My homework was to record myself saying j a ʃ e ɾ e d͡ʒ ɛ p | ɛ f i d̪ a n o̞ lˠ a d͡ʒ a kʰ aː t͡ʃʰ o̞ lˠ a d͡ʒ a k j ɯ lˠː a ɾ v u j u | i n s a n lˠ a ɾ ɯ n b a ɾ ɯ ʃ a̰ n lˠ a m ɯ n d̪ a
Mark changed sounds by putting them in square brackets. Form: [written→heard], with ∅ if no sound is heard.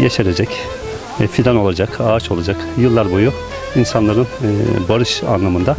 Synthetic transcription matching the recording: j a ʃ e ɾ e d͡ʒ ɛ [p→c] | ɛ f i d̪ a n o̞ lˠ a d͡ʒ a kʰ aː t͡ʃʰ o̞ lˠ a d͡ʒ a k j ɯ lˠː a ɾ [v→b] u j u | i n s a n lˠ a ɾ ɯ n b a ɾ ɯ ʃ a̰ n lˠ a m ɯ n d̪ a